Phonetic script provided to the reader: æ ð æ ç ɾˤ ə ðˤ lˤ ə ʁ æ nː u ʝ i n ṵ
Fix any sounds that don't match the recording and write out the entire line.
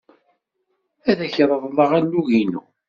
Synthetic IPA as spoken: æ ð æ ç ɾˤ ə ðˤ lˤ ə ʁ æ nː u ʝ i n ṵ